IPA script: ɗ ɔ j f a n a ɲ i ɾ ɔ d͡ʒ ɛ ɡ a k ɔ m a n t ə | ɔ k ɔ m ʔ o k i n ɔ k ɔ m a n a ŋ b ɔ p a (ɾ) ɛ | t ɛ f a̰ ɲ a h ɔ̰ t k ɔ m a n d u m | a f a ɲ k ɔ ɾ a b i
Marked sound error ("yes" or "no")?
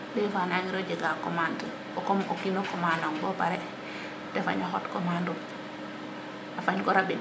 no